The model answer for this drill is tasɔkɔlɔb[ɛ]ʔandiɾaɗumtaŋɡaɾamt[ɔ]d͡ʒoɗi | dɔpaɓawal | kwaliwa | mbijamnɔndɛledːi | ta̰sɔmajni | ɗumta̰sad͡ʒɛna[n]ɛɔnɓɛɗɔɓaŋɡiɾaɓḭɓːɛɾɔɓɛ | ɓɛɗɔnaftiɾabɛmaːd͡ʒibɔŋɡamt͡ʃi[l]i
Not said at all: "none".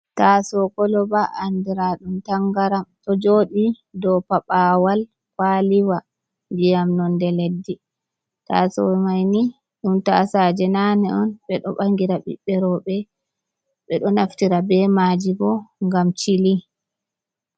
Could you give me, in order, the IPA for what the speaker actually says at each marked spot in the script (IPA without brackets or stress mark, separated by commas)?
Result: a, ɔ, n, l